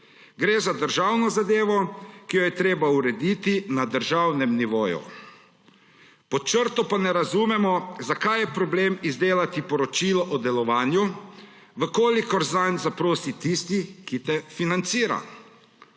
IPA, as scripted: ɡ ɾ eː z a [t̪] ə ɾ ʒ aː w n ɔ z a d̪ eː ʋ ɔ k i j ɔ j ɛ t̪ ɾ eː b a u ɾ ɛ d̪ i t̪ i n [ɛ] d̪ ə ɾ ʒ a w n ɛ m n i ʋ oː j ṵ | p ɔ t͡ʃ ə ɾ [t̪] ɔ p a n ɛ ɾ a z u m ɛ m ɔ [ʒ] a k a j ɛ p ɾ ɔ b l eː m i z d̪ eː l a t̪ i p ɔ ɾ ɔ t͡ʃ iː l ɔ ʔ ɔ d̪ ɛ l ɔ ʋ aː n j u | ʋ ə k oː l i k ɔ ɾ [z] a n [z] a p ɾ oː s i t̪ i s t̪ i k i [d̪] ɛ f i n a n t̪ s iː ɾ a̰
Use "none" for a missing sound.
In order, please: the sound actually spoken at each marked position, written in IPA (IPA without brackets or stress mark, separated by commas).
d̪, a, t̪, z, z, z, t̪